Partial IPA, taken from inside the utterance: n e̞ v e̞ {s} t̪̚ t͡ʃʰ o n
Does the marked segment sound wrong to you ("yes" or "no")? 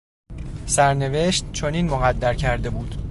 yes